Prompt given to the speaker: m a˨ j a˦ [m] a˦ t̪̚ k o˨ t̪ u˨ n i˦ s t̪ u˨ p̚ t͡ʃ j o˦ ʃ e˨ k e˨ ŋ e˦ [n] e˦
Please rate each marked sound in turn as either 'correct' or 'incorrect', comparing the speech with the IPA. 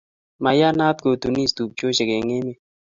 incorrect: n, incorrect: m

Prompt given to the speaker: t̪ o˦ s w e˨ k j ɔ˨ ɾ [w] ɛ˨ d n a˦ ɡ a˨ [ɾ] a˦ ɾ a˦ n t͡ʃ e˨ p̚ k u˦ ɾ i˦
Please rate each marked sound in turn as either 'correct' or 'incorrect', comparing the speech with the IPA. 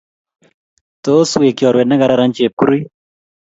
correct, correct

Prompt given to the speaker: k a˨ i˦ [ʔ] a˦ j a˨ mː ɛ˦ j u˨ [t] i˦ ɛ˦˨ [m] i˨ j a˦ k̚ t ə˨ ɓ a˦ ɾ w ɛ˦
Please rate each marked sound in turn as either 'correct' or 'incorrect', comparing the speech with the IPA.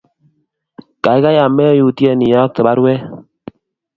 incorrect: k, correct, incorrect: n

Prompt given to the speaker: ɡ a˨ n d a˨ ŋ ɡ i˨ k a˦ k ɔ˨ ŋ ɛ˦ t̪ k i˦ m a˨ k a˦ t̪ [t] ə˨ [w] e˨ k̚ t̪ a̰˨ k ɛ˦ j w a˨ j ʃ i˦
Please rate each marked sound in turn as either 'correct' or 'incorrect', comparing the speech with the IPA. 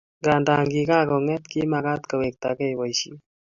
incorrect: k, correct

